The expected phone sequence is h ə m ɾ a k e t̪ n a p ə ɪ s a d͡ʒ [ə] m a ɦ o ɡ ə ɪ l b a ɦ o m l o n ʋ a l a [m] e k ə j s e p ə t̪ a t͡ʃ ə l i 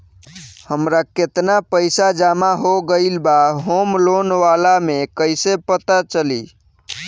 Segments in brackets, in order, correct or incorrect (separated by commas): incorrect, correct